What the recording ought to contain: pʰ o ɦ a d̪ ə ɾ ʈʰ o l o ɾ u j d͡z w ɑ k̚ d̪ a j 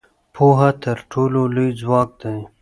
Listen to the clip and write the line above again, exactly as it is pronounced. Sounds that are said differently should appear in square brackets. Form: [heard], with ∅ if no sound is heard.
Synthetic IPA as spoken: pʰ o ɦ a [t̪] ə ɾ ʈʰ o l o [l] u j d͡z w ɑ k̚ d̪ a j